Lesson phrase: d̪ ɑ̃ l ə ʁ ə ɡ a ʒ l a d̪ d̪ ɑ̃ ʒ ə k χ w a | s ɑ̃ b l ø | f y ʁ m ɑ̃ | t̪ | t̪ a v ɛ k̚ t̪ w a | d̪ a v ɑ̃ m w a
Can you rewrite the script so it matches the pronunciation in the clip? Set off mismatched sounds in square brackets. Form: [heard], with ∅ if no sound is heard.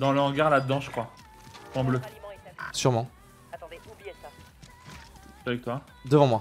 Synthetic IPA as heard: d̪ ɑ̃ l ə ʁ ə ɡ a [ʁ] l a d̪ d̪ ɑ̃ ʒ ə k χ w a | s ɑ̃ b l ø | [s] y ʁ m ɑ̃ | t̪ | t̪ a v ɛ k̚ t̪ w a | d̪ [ə] v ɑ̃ m w a

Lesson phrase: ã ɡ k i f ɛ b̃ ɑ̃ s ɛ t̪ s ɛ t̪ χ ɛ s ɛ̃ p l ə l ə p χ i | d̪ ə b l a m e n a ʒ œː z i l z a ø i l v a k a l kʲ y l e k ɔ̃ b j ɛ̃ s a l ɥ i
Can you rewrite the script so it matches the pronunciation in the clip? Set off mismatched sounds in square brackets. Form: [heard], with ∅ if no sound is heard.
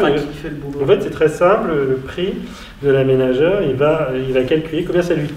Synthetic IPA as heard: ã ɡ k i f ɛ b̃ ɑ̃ [f] ɛ t̪ s ɛ t̪ χ ɛ s ɛ̃ p l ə l ə p χ i | d̪ ə [∅] l a m e n a ʒ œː [ʁ] i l [v] a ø i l v a k a l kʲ y l e k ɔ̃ b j ɛ̃ s a l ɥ i

